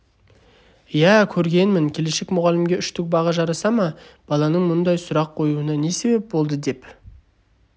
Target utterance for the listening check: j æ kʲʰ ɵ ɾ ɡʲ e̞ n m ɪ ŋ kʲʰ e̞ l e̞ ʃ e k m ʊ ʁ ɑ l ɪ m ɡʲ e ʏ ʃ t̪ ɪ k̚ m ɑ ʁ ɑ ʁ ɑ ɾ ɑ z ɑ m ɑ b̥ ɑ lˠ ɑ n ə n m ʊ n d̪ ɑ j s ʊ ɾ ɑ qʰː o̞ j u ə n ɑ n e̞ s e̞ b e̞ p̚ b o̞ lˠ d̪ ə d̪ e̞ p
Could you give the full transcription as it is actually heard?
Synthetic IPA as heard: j æ kʲʰ ɵ ɾ ɡʲ e̞ n m ɪ ŋ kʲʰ e̞ l e̞ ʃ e k m ʊ ʁ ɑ l ɪ m ɡʲ e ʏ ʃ t̪ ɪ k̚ b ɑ ʁ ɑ ʒ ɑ ɾ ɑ s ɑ m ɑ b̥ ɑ lˠ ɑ n ə ɴ m ʊ n d̪ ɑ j s ʊ ɾ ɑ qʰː o̞ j u ə n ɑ n e̞ s e̞ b e̞ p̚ b o̞ lˠ d̪ ə d̪ e̞ p